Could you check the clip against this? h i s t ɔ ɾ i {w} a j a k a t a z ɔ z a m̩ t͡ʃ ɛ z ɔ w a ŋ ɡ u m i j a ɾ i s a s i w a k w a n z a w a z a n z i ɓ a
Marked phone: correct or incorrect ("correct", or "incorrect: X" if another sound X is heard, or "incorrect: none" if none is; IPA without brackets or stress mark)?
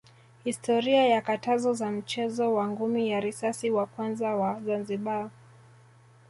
incorrect: none